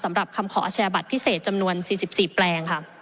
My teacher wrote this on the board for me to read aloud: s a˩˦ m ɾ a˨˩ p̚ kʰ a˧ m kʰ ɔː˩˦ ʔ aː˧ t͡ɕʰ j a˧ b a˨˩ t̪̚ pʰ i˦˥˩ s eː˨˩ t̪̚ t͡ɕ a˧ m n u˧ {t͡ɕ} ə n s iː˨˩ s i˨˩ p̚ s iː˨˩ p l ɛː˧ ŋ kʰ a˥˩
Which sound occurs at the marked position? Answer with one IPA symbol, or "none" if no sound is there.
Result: none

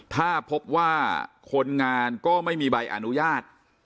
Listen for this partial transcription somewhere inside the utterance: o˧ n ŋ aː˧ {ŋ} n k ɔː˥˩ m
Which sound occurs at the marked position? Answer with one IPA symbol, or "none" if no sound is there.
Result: none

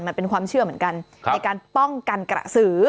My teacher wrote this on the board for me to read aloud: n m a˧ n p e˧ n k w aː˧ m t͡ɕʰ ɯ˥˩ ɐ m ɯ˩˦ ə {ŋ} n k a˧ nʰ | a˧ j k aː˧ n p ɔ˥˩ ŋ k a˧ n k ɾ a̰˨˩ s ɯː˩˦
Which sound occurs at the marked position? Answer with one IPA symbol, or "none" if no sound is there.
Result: none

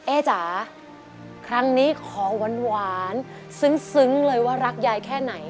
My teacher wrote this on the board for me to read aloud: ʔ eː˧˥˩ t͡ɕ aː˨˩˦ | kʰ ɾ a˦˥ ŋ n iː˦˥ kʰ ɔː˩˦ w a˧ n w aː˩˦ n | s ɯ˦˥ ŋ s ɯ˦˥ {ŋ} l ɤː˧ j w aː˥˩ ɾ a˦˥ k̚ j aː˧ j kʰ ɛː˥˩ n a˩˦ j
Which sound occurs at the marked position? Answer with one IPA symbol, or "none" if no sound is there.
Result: ŋ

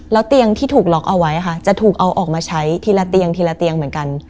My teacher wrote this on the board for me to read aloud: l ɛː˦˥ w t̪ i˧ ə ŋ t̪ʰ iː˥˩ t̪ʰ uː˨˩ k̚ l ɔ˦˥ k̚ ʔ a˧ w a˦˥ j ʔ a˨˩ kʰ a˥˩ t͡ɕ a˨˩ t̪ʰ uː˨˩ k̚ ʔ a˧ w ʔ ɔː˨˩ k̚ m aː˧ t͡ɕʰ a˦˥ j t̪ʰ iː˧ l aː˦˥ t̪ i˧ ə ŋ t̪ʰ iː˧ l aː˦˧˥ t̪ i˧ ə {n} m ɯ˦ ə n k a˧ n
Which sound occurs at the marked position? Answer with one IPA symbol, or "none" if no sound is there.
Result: ŋ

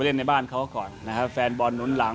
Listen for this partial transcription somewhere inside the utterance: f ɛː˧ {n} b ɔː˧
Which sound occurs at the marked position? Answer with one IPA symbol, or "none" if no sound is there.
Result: n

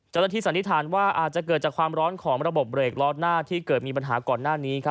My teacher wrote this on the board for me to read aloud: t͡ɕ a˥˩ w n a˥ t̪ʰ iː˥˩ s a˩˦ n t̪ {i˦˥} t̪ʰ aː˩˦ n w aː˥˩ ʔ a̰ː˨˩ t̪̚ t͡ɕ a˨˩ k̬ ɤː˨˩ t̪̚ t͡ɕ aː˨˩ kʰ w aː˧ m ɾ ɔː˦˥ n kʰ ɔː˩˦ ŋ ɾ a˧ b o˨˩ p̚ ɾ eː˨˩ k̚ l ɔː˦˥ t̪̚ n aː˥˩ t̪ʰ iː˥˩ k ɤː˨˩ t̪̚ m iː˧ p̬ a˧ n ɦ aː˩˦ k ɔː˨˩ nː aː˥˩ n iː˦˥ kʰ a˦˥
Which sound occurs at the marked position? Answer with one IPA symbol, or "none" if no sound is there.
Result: i˦˥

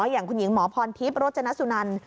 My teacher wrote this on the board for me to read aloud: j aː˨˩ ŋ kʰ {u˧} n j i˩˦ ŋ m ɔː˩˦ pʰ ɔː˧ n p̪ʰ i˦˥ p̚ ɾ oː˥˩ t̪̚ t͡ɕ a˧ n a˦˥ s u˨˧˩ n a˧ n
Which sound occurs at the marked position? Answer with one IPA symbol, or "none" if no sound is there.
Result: u˧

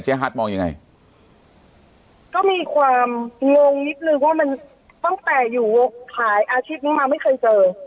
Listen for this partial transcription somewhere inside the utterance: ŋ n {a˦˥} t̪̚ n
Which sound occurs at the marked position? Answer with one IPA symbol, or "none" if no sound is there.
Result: i˦˥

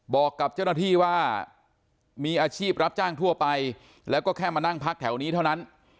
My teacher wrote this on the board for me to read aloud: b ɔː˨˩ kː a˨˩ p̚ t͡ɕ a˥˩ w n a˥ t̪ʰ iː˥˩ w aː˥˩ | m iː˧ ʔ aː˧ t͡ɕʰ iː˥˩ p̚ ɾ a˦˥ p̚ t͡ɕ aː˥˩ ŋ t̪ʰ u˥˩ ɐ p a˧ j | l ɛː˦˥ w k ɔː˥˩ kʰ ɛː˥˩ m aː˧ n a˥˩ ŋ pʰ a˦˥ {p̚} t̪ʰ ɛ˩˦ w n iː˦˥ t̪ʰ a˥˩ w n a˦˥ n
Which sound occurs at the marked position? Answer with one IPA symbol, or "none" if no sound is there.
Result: k̚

